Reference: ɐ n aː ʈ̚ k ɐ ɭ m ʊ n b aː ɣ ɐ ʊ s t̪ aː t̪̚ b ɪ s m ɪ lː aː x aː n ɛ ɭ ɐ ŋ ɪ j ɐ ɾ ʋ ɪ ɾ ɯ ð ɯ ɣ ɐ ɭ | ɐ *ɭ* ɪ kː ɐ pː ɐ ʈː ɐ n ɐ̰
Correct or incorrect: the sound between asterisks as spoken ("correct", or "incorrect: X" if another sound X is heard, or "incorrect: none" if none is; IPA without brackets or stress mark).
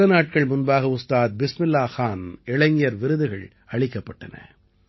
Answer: correct